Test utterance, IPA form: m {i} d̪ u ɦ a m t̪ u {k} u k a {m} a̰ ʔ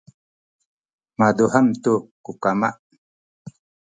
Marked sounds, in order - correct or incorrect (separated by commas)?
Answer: incorrect, correct, correct